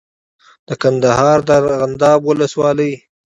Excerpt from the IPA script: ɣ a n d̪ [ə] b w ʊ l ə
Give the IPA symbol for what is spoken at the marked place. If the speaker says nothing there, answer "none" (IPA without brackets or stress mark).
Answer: ɑ